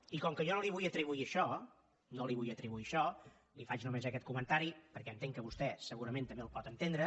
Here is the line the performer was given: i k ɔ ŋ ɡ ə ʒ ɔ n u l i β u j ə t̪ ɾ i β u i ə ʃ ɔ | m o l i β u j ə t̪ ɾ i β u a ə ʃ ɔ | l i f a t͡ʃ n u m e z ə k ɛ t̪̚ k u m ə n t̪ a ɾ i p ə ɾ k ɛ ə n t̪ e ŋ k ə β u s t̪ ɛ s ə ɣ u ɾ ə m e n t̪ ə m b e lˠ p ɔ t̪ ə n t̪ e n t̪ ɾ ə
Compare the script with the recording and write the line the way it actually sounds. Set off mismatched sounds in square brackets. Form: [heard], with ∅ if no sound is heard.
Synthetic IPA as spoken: i k ɔ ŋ [k] ə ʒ ɔ n [o] l i β u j ə t̪ ɾ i β u i ə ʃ ɔ | [n] o l i β u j ə t̪ ɾ i β u [i] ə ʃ ɔ | l i f a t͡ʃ n u m e z ə k ɛ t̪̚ k u m ə n t̪ a ɾ i p ə ɾ k ɛ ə n t̪ e ŋ k ə β u s t̪ ɛ s ə ɣ u ɾ ə m e n t̪ ə m b e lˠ p ɔ t̪ ə n t̪ e n [d̪] ɾ ə